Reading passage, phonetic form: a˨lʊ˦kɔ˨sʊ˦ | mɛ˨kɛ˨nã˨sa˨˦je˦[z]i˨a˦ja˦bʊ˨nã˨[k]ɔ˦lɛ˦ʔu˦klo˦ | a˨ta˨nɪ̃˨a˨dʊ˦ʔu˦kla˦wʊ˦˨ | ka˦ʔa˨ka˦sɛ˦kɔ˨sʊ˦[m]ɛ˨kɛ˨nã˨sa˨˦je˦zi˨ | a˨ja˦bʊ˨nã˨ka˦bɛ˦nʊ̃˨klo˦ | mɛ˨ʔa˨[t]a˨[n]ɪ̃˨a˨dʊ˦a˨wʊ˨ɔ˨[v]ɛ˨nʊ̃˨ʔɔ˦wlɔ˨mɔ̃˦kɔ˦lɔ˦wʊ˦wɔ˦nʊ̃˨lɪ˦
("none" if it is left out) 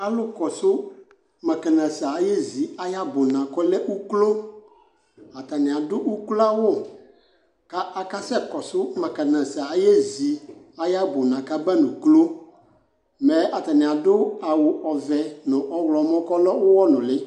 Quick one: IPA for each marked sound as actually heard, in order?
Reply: z, k, m, t, n, v

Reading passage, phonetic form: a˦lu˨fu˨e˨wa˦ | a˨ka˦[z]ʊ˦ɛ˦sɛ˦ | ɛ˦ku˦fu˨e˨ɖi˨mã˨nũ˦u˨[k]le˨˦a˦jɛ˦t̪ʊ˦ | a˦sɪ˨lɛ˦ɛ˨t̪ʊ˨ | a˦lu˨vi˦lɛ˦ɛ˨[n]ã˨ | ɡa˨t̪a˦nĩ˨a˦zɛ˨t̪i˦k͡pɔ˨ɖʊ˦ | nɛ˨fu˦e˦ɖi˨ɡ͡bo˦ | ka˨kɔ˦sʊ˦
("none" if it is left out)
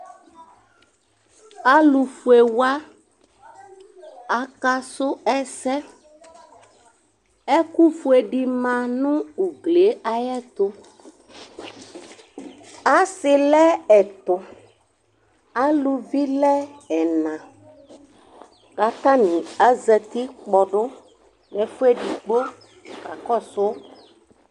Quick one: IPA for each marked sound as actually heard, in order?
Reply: s, ɡ, n

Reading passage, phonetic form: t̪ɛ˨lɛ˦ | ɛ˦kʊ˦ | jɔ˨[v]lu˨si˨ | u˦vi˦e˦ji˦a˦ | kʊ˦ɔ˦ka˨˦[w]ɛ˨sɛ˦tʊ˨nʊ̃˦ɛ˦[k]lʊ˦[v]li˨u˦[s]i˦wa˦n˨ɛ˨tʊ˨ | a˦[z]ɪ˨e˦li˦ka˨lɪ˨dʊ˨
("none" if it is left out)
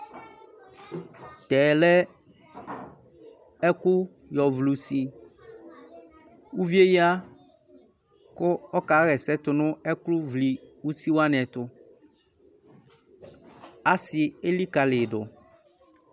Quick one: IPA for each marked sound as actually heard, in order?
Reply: v, ɣ, k, v, s, s

